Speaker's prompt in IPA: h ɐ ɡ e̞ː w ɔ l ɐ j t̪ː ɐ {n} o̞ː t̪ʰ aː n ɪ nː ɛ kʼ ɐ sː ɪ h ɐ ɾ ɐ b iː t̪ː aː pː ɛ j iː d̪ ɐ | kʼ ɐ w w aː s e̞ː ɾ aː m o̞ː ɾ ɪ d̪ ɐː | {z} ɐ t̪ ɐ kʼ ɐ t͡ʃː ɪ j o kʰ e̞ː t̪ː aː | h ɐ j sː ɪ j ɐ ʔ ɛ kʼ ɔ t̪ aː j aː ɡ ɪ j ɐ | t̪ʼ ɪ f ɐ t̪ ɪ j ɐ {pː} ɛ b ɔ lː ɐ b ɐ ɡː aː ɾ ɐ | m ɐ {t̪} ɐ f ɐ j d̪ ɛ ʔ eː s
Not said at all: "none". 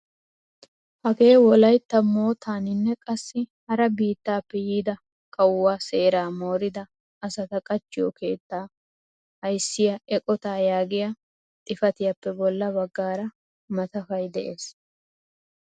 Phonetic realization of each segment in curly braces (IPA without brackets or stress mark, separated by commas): m, s, pː, t̪